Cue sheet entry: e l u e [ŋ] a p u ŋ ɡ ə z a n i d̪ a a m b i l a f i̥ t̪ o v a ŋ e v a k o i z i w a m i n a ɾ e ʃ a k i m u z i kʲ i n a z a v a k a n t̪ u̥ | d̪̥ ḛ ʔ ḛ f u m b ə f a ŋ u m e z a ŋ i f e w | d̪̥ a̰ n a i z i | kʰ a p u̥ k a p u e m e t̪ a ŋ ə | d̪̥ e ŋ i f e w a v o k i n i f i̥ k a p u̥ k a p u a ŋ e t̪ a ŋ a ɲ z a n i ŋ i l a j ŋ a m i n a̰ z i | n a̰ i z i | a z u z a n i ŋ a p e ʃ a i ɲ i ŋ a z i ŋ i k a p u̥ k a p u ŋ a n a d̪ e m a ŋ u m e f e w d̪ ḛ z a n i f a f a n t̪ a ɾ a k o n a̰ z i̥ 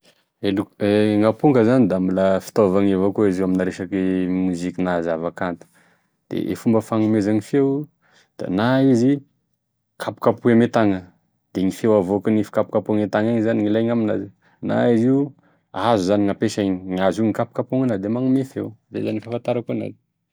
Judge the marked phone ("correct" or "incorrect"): correct